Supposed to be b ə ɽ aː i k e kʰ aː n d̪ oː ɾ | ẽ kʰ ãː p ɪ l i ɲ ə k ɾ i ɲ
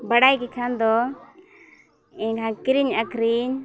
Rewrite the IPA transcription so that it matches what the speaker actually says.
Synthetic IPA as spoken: b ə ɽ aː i k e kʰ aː n d̪ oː | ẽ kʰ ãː k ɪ ɾ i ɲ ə k ɾ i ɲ